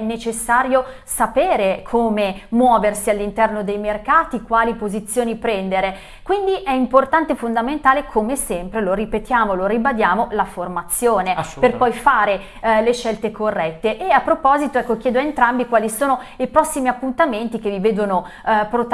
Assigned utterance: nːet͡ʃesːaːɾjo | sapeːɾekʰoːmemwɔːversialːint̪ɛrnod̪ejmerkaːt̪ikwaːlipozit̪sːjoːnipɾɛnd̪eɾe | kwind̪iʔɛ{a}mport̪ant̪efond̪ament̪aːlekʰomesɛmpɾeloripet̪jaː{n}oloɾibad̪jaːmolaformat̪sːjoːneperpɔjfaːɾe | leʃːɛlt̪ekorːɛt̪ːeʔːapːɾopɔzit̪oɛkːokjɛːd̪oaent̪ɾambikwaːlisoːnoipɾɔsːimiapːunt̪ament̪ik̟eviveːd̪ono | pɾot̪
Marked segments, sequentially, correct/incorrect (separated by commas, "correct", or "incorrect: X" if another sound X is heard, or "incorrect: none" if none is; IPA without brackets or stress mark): incorrect: i, incorrect: m